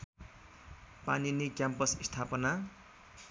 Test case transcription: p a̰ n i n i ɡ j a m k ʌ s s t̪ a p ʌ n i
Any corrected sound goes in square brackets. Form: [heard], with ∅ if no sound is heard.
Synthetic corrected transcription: p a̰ n i n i [k] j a m [p] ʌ s s [t̪ʰ] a p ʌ n [a]